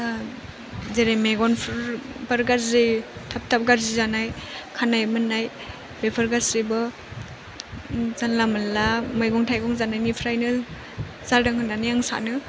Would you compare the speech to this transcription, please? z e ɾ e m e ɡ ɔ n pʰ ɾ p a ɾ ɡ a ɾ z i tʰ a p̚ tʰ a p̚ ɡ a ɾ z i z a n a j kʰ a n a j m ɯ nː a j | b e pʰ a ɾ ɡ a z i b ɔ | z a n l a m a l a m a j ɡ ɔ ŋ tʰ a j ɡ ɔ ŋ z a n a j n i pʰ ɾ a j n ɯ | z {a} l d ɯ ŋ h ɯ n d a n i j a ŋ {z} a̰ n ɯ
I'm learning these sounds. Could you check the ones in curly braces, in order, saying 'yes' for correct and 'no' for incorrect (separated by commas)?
yes, no